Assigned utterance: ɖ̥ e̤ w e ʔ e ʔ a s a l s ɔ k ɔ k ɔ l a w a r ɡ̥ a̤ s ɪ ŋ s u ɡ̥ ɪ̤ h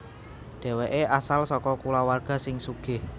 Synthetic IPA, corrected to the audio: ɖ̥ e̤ w e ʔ e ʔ a s a l s ɔ k ɔ k u l a w a r ɡ̥ a̤ s ɪ ŋ s u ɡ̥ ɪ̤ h